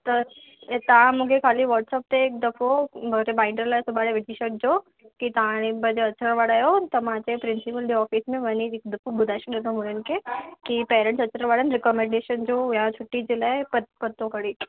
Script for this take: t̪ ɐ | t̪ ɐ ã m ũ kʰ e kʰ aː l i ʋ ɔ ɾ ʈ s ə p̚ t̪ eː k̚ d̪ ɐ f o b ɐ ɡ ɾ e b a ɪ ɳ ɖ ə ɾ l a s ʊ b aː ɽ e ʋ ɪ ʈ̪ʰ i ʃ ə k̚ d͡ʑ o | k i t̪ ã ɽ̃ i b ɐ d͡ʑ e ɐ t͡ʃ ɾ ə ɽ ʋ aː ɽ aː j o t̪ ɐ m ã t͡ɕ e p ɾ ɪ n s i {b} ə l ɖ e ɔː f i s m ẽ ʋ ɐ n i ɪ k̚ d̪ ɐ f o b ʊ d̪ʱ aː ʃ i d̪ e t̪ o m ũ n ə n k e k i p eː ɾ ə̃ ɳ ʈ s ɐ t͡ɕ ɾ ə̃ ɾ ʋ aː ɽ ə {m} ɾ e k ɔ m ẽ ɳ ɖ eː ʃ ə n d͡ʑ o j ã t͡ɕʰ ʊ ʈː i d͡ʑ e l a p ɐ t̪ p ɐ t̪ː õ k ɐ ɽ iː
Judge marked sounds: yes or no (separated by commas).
no, no